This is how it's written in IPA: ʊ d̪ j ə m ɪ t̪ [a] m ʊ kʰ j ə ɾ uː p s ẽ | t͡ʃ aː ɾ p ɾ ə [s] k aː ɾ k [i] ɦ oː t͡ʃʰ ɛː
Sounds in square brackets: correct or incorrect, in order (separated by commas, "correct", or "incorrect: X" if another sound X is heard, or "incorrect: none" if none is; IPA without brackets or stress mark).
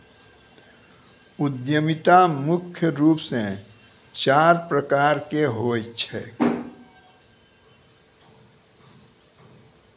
correct, incorrect: none, incorrect: e